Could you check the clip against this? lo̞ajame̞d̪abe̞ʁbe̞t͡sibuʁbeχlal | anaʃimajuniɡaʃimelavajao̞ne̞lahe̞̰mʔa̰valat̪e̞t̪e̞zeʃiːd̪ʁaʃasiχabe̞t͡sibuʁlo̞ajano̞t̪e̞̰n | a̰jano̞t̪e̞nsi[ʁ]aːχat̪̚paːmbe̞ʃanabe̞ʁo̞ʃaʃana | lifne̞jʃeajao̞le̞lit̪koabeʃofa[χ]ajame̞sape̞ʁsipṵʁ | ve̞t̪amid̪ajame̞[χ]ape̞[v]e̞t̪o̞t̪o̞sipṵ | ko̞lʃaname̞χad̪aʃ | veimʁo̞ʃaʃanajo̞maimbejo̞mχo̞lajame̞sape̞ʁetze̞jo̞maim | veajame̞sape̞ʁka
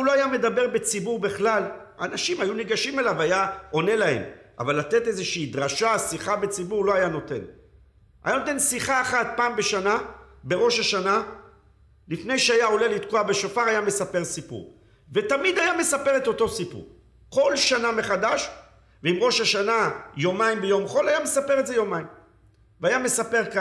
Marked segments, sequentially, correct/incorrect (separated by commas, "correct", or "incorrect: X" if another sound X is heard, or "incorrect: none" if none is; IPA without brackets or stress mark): incorrect: χ, incorrect: ʁ, incorrect: s, incorrect: ʁ